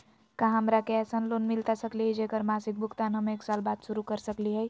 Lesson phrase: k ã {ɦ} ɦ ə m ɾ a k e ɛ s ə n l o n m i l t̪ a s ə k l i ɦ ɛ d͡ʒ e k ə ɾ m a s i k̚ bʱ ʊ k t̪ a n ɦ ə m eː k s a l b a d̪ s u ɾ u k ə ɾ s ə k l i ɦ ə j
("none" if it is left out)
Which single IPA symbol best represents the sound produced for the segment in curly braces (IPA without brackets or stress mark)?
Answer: ɦ